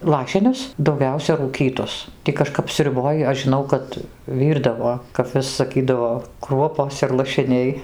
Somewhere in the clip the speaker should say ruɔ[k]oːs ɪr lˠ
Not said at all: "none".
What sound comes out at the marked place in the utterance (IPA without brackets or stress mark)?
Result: p